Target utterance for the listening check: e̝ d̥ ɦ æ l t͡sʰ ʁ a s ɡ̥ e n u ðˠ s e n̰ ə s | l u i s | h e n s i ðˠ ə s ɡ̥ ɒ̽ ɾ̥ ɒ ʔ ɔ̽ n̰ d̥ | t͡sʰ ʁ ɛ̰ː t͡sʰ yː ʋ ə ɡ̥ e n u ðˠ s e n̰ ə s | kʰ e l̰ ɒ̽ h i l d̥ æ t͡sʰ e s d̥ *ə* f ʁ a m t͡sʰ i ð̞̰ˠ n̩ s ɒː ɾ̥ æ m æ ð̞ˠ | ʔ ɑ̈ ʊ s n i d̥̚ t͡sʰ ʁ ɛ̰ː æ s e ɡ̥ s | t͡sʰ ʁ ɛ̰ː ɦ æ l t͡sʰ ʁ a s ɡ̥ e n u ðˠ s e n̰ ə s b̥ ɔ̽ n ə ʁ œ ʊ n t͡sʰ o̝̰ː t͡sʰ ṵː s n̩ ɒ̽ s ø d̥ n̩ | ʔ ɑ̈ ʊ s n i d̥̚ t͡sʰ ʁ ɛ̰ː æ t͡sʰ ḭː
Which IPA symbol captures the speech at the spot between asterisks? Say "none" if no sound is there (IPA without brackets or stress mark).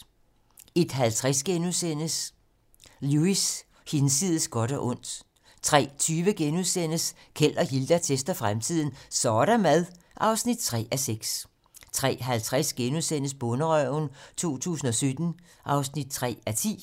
ɐ